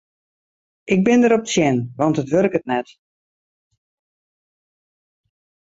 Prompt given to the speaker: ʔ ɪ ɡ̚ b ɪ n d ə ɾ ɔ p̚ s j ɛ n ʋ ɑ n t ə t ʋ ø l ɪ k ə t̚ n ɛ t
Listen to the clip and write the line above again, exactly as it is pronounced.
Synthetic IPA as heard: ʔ ɪ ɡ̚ b ɪ n d ə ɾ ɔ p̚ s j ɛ n ʋ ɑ n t ə t ʋ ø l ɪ k ə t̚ n ɛ t